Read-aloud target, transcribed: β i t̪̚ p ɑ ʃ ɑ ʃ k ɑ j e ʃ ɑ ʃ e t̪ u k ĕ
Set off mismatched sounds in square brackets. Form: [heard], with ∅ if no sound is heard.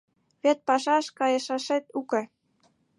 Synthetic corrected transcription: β [e] t̪̚ p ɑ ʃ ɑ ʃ k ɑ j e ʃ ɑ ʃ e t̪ u k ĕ